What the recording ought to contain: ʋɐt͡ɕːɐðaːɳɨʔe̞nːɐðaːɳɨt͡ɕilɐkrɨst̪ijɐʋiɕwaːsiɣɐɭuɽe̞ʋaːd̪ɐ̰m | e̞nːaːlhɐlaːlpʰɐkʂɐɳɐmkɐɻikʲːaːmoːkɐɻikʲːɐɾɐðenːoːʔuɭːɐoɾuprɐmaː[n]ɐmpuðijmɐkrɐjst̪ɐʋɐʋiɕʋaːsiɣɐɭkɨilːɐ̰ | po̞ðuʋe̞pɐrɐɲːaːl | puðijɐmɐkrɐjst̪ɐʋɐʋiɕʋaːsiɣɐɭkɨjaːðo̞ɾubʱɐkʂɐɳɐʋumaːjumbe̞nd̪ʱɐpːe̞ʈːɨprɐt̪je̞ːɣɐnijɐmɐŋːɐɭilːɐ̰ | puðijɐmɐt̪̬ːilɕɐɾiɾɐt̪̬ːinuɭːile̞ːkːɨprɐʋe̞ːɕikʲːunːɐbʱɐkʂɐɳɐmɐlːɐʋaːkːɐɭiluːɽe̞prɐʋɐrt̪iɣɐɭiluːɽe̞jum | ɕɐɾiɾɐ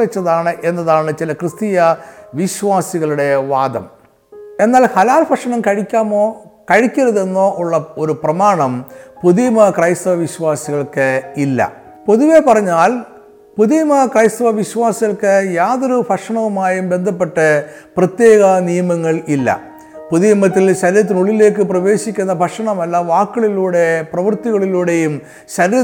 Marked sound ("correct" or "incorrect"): incorrect